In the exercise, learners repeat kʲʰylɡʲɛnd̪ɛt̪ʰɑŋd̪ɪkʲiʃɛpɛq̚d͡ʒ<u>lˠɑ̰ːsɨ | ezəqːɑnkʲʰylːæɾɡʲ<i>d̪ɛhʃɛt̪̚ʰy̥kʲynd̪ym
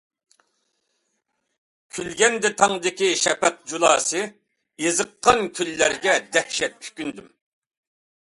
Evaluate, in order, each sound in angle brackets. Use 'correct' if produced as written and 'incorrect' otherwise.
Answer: correct, incorrect

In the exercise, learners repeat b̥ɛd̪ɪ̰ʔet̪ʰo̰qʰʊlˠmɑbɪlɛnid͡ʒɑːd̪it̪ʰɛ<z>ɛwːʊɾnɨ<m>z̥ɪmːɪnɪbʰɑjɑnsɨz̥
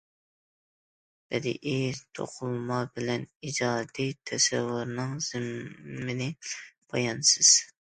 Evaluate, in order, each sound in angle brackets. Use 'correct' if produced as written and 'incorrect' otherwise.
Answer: incorrect, incorrect

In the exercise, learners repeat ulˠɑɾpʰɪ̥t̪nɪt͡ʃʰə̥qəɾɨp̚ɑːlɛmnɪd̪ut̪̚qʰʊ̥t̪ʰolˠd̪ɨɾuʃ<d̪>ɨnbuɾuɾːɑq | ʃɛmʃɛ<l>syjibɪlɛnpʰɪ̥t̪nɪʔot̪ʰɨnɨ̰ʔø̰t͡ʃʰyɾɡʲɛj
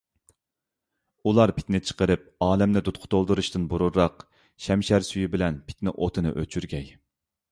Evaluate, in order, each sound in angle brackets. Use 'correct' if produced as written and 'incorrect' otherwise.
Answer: incorrect, incorrect

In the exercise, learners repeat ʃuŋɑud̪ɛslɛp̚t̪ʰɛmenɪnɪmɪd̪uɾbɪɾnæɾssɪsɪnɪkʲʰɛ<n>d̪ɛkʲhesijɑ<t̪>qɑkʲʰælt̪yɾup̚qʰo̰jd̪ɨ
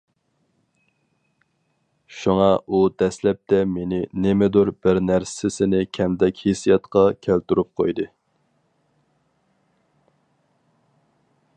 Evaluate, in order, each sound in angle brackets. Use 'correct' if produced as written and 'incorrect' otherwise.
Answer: incorrect, correct

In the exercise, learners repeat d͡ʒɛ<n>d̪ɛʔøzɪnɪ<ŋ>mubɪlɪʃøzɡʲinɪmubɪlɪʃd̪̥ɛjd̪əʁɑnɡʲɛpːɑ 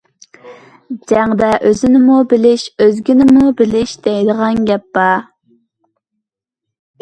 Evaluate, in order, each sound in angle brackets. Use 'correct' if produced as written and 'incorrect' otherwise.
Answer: incorrect, incorrect

